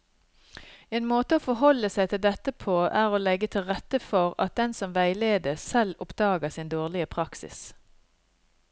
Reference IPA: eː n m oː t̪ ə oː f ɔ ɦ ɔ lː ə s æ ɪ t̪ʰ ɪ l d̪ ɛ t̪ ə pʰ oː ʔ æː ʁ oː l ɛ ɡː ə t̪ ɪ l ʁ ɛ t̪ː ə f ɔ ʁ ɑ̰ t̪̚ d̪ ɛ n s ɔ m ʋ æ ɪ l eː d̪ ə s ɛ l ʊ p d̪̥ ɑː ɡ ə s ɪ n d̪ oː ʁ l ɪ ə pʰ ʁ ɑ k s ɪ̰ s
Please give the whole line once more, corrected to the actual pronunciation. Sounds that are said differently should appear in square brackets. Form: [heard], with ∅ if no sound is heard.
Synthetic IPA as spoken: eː n m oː t̪ ə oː f ɔ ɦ ɔ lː ə s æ ɪ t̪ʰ ɪ l d̪ ɛ t̪ ə pʰ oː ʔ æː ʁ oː l ɛ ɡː ə [t̪ʰ] ɪ l ʁ ɛ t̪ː ə f ɔ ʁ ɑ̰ t̪̚ d̪ ɛ n s ɔ m ʋ æ ɪ l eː d̪ ə s ɛ l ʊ p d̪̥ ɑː ɡ ə s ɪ n d̪ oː ʁ l ɪ ə pʰ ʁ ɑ k s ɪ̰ s